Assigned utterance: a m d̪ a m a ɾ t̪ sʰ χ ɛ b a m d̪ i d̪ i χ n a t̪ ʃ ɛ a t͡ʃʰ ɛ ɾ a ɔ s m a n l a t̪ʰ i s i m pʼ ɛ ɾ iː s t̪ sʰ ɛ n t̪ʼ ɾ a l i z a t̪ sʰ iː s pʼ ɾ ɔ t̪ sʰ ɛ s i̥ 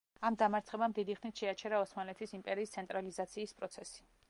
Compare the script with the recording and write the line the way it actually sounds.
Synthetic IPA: a m d̪ a m a ɾ t̪ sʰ χ ɛ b a m d̪ i d̪ i χ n i t̪ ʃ ɛ a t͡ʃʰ ɛ ɾ a ɔ s m a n l ɛ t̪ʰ i s i m pʼ ɛ ɾ iː s t̪ sʰ ɛ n t̪ʼ ɾ a l i z a t̪ sʰ iː s pʼ ɾ ɔ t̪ sʰ ɛ s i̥